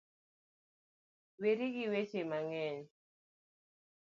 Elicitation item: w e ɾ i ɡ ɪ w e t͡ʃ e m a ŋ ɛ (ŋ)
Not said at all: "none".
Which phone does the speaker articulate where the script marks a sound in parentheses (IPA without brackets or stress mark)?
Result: ɲ